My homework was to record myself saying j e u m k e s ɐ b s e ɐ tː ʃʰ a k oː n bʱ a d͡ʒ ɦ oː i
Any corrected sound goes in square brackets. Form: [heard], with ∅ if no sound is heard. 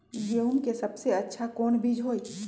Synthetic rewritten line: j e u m k e s ɐ b s e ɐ tː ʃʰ a k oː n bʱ [i] d͡ʒ ɦ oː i